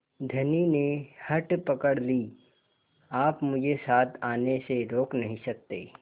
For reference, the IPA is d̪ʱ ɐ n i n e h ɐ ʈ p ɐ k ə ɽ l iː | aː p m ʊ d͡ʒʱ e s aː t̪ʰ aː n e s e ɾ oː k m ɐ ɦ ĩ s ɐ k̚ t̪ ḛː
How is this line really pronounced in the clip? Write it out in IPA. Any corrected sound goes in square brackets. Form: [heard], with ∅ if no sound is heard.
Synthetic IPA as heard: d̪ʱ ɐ n i n e h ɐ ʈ p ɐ k ə ɽ l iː | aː p m ʊ d͡ʒʱ e s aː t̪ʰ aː n e s e ɾ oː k [n] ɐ ɦ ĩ s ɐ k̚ t̪ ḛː